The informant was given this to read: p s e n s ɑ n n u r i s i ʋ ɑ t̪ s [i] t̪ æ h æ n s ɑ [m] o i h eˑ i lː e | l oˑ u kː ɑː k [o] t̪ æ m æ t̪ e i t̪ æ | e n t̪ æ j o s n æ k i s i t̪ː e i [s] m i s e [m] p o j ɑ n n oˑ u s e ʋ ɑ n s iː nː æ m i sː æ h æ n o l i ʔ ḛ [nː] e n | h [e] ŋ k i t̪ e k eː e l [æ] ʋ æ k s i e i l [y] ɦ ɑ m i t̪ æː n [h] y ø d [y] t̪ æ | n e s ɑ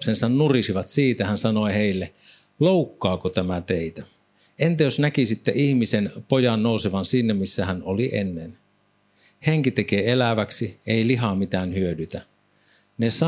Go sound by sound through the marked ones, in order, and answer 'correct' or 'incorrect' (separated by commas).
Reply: incorrect, incorrect, correct, incorrect, incorrect, correct, correct, correct, incorrect, correct, correct